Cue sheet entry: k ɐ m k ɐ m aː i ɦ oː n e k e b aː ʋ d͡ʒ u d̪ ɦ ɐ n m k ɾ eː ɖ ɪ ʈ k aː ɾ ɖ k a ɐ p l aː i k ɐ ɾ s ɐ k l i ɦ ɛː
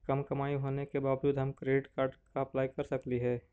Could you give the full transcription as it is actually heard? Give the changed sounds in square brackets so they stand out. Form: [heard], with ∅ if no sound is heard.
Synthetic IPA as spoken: k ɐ m k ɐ m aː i ɦ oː n e k e b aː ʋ d͡ʒ [uː] d̪ ɦ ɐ [∅] m k ɾ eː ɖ ɪ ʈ k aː ɾ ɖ k a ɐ p l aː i k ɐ ɾ s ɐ k l i ɦ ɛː